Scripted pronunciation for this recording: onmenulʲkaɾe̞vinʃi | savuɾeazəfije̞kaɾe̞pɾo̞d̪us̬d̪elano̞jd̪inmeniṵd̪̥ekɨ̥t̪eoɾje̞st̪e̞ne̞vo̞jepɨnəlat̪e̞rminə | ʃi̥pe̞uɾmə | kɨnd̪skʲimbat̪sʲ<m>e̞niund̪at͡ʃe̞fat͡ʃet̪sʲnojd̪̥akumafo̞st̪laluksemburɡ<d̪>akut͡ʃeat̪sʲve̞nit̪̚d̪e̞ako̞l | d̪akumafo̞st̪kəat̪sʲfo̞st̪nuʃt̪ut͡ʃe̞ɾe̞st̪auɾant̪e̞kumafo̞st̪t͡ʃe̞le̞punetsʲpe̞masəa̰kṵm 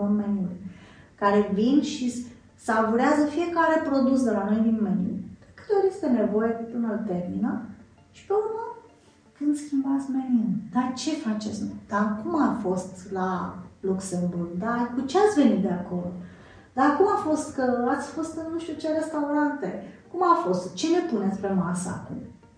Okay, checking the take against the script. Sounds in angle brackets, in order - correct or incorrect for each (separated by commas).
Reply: correct, correct